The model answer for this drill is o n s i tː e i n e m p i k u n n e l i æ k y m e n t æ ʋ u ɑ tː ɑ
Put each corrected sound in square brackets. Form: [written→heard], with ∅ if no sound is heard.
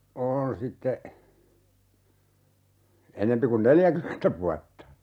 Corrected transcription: o n s i tː e [i→e] n e m p i k u n n e l [i→j] æ k y m e n t æ ʋ u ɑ tː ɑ

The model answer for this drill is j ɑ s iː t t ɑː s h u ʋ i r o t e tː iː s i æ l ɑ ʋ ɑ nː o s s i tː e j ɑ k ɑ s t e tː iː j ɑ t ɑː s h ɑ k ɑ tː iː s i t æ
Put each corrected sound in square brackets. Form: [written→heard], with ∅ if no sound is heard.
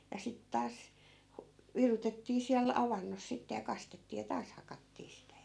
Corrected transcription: j ɑ s [iː→i] t t ɑː s h u ʋ i r [o→u] t e tː iː s i æ l ɑ ʋ ɑ nː o s s i tː e j ɑ k ɑ s t e tː iː j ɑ t ɑː s h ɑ k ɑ tː iː s i t æ

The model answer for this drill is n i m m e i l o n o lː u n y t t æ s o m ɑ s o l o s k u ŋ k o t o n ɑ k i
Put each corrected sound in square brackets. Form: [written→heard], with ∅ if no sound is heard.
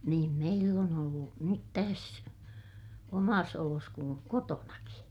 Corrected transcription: n [i→iː] m m e i [l→lː] o n o lː u n y t t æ s o m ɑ s o l o s k u ŋ k o t o n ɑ k i

